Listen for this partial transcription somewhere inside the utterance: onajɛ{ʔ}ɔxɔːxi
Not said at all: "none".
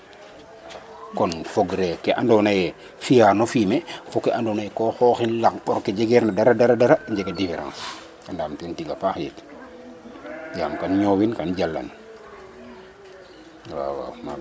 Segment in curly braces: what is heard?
k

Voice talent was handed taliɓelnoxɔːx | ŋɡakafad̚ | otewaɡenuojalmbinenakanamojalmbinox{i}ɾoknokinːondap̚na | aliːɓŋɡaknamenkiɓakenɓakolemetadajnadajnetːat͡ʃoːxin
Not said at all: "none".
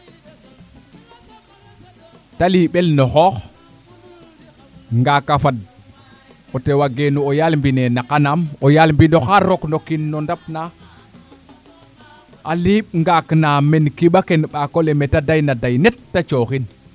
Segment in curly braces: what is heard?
a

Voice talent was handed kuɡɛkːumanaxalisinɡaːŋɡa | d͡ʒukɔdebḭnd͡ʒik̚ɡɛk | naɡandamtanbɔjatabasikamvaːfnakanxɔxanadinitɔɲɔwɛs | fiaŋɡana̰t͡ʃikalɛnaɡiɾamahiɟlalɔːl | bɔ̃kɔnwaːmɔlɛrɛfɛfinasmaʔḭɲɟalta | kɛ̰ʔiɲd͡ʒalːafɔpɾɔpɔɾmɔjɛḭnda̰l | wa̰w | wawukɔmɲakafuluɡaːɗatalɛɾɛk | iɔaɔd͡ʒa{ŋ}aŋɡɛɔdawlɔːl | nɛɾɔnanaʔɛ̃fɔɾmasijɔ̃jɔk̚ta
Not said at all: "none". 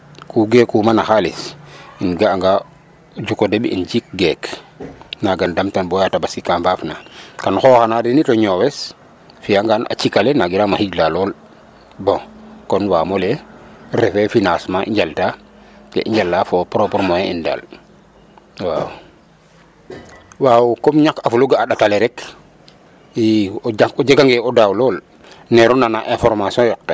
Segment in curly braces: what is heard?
ɡ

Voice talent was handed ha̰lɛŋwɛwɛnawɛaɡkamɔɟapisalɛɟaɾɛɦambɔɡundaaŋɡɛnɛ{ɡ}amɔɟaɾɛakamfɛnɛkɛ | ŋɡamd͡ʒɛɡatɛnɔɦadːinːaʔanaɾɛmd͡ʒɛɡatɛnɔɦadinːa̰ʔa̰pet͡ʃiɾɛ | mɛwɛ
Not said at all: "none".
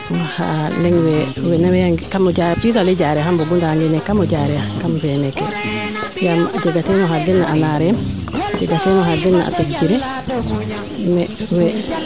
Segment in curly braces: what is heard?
k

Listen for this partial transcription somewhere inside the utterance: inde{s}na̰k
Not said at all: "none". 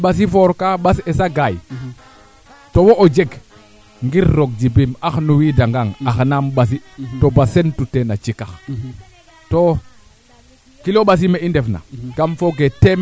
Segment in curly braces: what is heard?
f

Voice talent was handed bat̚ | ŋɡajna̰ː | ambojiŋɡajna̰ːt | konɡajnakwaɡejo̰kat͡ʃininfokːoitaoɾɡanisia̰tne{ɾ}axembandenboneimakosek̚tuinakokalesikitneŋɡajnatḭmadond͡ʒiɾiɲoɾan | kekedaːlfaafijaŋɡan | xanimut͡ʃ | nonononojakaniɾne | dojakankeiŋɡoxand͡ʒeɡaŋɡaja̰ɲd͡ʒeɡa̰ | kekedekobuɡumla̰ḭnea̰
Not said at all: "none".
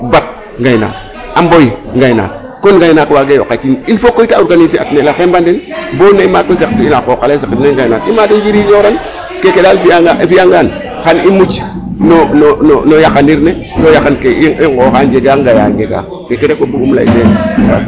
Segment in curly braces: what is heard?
l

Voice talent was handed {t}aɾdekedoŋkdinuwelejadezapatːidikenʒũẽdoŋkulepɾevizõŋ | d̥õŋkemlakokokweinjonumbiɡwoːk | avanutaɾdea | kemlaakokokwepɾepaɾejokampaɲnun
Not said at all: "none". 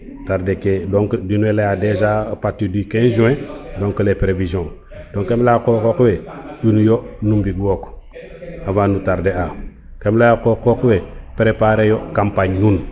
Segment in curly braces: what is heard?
t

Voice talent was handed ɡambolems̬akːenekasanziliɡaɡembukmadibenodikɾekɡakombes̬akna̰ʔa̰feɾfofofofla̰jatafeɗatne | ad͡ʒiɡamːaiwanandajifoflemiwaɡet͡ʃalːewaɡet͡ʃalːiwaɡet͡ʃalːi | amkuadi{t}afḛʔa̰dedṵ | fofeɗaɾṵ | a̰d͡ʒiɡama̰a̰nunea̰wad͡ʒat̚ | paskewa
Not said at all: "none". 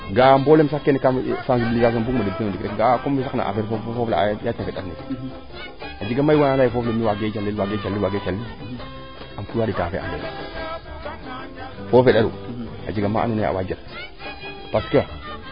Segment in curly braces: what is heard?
t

